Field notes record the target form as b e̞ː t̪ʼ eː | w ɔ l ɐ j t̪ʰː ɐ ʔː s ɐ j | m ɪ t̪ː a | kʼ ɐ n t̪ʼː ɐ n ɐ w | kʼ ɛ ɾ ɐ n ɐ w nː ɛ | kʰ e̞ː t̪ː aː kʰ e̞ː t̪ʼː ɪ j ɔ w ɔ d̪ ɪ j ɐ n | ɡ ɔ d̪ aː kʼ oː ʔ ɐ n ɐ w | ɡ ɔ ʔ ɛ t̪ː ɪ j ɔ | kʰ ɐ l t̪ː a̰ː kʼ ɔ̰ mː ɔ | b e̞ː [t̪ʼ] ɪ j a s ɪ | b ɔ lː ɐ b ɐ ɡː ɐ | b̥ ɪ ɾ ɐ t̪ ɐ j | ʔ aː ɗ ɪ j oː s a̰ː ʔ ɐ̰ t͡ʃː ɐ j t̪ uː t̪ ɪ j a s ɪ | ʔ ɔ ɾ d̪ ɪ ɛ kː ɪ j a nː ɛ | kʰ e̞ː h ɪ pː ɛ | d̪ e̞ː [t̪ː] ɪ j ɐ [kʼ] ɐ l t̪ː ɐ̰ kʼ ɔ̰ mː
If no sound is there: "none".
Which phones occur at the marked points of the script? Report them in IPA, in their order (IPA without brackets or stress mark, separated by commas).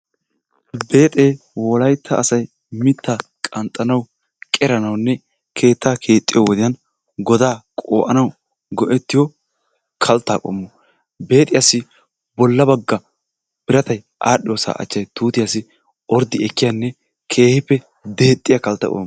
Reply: t̪ʼ, t̪ʼː, k